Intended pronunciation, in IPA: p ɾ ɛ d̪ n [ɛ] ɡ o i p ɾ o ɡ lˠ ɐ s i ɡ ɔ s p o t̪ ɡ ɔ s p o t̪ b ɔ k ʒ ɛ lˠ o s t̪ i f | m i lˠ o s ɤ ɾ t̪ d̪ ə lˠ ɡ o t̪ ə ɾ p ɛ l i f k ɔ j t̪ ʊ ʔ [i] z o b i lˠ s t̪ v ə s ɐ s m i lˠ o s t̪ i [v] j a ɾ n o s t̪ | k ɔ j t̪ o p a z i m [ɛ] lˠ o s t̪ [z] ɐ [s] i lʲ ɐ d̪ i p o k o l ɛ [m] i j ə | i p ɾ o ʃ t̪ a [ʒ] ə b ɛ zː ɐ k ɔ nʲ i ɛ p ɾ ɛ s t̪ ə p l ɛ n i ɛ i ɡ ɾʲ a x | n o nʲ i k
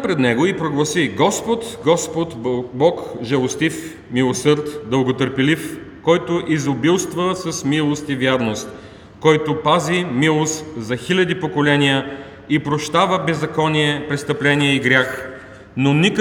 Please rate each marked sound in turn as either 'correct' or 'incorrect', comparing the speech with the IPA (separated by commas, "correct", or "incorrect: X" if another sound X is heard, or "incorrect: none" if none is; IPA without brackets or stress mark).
correct, correct, correct, incorrect: i, correct, incorrect: x, incorrect: n, incorrect: v